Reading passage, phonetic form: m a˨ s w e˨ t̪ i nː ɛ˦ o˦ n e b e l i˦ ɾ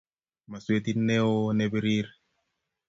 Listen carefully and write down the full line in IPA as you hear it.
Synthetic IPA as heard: m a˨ s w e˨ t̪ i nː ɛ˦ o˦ n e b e ɾ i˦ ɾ

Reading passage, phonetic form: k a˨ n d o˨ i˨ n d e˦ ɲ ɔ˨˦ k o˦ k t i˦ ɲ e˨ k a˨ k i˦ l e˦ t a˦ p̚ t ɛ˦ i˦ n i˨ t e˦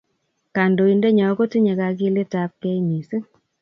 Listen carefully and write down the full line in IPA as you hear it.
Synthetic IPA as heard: k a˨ n d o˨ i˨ n d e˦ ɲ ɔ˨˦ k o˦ t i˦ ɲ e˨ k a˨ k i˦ l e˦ t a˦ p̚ k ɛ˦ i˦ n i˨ s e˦

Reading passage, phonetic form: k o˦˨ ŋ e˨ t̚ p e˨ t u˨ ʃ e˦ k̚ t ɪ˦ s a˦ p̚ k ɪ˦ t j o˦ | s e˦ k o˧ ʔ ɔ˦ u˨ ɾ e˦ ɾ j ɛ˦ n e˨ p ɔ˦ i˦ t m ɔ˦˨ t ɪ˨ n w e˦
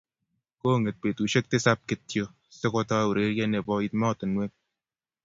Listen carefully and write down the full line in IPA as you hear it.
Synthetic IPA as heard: k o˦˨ ŋ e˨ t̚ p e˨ t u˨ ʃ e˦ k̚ t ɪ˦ s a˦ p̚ k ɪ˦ t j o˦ | s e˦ k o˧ t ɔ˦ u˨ ɾ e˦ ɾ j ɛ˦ n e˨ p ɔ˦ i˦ t m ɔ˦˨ t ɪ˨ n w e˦

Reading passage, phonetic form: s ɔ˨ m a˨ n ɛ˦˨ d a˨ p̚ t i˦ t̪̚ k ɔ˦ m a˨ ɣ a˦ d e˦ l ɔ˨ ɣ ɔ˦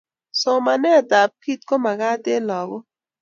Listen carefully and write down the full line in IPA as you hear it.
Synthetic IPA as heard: s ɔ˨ m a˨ n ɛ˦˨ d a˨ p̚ k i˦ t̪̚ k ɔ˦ m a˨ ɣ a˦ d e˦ l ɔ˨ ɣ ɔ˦

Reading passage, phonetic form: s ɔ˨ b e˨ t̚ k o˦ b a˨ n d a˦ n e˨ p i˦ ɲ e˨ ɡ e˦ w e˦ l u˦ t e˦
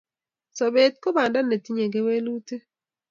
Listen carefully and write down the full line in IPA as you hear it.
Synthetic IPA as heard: s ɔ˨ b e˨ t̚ k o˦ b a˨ n d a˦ n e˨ t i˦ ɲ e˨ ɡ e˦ w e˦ l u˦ t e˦

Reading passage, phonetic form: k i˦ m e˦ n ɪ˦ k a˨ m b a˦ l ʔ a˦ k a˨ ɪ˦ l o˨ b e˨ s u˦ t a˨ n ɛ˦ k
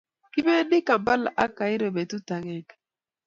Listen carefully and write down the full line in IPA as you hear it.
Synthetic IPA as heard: k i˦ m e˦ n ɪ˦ k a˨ m b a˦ l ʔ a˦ k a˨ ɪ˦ ɾ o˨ b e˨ t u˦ t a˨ ŋ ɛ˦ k

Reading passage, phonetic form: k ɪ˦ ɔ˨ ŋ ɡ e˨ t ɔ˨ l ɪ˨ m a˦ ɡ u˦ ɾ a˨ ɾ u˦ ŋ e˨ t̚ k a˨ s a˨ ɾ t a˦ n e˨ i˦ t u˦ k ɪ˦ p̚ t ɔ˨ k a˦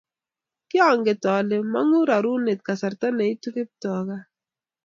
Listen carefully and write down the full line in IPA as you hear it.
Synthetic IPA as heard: k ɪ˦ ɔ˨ ŋ ɡ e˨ t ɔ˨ l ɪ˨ m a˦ ŋ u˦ ɾ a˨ ɾ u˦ n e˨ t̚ k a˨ s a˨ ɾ t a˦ n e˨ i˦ t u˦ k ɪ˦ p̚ t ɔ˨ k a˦

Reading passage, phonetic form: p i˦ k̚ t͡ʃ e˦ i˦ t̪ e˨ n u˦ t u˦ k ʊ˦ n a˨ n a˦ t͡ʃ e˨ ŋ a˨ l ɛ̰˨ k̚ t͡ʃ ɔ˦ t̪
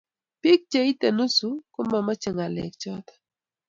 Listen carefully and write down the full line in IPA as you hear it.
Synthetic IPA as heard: p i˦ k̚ t͡ʃ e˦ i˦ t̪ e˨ n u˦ s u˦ k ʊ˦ m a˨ m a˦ t͡ʃ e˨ ŋ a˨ l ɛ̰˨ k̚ t͡ʃ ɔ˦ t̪

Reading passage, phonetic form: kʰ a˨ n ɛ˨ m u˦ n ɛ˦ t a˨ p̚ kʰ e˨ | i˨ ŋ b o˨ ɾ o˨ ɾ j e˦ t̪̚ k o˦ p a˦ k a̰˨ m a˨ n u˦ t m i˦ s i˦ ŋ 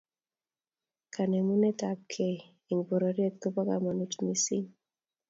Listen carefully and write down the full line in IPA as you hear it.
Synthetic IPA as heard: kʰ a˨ n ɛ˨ m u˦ n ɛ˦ t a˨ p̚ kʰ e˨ | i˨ ŋ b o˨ ɾ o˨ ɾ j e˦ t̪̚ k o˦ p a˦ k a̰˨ m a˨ n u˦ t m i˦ s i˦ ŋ

